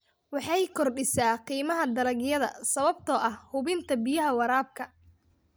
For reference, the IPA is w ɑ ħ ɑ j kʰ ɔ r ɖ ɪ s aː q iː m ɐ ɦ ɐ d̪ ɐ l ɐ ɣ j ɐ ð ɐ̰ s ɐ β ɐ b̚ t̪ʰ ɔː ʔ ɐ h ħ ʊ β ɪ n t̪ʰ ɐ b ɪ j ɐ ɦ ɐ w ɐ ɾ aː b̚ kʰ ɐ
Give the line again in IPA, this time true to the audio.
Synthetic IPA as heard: w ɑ ħ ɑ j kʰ ɔ r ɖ ɪ s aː q iː m ɐ ɦ ɐ d̪ ɐ l ɐ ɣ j ɐ ð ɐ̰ s ɐ β ɐ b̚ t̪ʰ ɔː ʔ ɐ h h ʊ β ɪ n t̪ʰ ɐ b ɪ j ɐ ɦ ɐ w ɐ ɾ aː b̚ kʰ ɐ